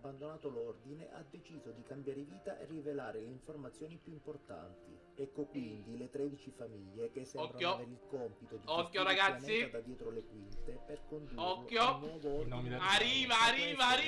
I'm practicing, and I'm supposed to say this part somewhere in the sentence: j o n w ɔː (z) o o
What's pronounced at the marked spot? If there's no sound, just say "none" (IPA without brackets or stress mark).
v